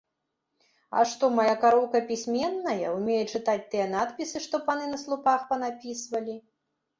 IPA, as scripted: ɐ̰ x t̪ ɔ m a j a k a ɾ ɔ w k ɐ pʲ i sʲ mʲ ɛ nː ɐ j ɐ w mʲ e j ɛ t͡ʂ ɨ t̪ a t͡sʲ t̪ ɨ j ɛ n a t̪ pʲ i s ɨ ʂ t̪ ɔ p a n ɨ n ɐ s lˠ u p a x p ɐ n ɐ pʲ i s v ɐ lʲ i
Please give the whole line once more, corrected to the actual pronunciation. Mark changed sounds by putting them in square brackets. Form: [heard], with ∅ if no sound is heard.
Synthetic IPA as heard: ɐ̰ [ʂ] t̪ ɔ m a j a k a ɾ ɔ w k ɐ pʲ i sʲ mʲ ɛ nː ɐ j ɐ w mʲ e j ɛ t͡ʂ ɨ t̪ a t͡sʲ t̪ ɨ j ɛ n a t̪ pʲ i s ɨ ʂ t̪ ɔ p a n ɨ n ɐ s lˠ u p a x p ɐ n [a] pʲ i s v ɐ lʲ i